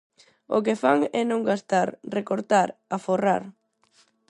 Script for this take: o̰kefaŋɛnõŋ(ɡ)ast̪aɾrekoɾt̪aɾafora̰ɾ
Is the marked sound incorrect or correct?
correct